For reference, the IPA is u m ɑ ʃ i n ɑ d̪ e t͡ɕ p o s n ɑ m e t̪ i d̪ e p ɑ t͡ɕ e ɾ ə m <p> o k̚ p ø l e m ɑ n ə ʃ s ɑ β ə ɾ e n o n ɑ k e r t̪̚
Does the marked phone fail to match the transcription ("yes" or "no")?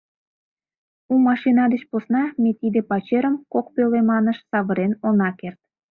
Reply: yes